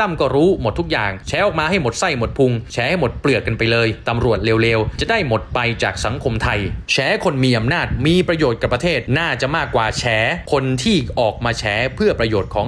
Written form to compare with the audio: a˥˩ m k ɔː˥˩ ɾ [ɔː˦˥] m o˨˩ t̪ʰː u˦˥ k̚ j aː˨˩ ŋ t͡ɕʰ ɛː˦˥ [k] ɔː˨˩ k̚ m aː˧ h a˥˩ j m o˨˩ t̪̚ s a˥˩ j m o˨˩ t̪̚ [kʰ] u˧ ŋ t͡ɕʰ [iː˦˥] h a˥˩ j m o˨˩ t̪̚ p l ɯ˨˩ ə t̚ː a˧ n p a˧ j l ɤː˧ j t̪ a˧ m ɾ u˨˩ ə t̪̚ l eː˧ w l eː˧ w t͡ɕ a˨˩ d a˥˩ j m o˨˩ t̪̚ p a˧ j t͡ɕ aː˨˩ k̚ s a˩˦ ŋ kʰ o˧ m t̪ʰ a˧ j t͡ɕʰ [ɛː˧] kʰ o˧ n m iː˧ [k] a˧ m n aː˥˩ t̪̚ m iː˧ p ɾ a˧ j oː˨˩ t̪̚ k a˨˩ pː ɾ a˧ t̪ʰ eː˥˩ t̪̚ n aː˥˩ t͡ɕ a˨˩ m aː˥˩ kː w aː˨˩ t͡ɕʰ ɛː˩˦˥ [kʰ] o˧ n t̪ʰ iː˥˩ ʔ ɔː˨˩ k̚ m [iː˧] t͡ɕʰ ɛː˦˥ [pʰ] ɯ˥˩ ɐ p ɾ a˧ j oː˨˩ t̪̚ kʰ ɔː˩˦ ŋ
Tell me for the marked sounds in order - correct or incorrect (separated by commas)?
incorrect, incorrect, incorrect, incorrect, incorrect, incorrect, correct, incorrect, correct